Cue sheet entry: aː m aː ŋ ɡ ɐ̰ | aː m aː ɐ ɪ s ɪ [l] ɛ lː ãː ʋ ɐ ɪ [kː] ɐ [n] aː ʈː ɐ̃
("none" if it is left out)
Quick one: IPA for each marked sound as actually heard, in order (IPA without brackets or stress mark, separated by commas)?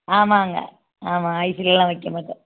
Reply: l, kː, m